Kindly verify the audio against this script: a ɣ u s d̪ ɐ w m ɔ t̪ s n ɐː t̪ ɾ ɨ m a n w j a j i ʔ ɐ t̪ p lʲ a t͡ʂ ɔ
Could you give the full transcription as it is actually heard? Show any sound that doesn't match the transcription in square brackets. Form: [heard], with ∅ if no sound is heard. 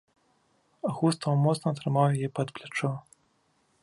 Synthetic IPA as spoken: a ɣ u s [t̪] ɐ w m ɔ t̪ s n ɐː t̪ ɾ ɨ m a [∅] w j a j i [p] ɐ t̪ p lʲ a t͡ʂ ɔ